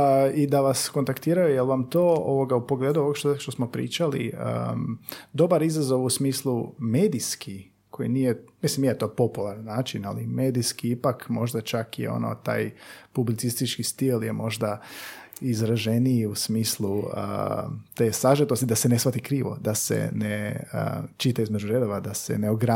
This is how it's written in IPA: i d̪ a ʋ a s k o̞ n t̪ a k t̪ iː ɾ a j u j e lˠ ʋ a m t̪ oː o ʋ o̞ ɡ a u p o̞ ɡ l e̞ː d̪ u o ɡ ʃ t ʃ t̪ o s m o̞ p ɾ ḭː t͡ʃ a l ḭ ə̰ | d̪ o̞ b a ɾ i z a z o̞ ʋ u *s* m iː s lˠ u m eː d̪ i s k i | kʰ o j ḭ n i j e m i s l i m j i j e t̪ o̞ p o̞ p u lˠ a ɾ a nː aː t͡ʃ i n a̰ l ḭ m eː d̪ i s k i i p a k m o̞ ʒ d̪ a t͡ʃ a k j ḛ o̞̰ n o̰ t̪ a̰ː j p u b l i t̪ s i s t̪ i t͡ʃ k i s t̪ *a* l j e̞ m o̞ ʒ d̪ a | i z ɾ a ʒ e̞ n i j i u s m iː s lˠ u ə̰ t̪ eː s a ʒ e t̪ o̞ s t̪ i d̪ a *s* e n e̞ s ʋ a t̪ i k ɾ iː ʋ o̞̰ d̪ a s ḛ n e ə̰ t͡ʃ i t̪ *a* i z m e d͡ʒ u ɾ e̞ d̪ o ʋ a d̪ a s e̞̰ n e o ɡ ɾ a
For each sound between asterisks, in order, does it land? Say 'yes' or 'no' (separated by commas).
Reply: yes, no, yes, yes